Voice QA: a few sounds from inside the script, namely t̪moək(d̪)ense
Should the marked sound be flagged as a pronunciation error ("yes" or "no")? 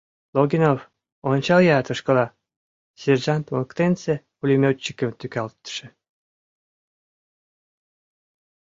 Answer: yes